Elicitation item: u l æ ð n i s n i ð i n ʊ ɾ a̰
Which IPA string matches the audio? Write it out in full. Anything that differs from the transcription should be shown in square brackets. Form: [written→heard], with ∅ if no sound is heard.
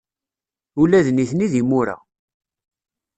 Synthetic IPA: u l æ ð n i [s→θ] n i ð i [n→m] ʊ ɾ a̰